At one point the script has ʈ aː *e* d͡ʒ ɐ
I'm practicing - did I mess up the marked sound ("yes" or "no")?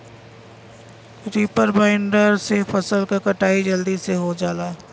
yes